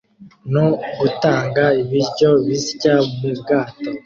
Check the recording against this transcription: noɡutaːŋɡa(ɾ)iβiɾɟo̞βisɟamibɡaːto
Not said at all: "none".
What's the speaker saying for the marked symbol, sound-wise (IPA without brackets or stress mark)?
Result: none